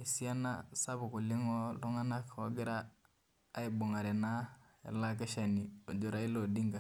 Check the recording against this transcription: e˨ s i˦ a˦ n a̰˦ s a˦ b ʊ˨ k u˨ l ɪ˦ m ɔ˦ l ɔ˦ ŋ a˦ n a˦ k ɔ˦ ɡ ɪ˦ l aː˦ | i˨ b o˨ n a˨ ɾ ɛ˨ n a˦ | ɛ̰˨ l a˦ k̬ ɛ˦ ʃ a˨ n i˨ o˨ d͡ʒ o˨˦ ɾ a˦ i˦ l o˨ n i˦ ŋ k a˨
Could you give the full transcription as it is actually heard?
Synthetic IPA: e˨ s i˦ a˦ n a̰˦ s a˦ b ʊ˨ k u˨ l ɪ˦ ŋ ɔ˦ l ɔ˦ ŋ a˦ n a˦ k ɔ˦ ɡ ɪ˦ ɾ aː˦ | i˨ b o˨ ŋ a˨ ɾ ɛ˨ n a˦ | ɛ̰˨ l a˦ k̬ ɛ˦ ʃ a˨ n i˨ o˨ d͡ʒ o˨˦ ɾ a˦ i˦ l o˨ d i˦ ŋ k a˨